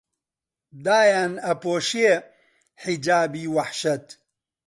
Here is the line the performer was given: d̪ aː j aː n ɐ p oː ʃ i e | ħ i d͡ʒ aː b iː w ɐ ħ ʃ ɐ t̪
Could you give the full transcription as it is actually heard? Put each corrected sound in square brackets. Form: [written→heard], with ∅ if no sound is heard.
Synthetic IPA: d̪ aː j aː n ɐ p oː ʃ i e | ħ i d͡ʒ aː b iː w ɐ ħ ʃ ɐ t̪